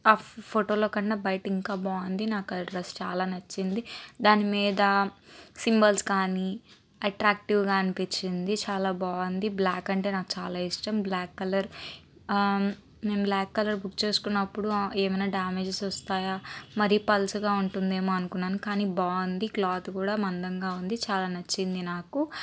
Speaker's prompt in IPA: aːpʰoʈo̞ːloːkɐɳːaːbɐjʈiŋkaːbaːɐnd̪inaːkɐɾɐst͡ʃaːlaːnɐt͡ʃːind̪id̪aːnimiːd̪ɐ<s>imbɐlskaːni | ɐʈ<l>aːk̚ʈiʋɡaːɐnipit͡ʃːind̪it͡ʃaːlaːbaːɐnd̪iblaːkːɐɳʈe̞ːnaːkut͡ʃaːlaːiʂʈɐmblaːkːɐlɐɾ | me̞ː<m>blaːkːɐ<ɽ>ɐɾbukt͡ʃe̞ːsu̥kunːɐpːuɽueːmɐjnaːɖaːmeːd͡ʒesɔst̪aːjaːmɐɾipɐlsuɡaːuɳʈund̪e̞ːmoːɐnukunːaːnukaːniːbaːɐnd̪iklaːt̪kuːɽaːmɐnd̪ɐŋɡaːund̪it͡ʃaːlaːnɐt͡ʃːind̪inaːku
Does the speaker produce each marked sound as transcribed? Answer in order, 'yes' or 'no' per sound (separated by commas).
yes, no, yes, no